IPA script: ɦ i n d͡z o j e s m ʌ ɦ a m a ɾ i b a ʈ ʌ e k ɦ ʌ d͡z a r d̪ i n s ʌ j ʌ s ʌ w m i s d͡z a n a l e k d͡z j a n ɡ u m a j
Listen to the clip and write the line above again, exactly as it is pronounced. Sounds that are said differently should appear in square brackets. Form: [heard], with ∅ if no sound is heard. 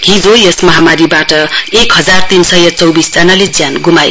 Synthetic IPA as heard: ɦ i [∅] d͡z o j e s m ʌ ɦ a m a ɾ i b a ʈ ʌ e k ɦ ʌ d͡z a r [t̪] i n s ʌ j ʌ [t͡s] ʌ w [b] i s d͡z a n a l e [∅] d͡z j a n ɡ u m a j